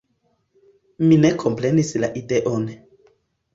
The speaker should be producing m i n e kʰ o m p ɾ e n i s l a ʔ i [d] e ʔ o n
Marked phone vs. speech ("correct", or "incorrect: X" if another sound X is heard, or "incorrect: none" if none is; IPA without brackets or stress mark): correct